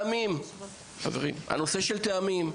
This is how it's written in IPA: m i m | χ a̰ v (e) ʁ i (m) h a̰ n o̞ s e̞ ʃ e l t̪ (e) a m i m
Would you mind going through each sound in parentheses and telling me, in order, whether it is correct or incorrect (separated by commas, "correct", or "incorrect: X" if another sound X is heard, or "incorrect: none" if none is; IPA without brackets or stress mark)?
correct, correct, correct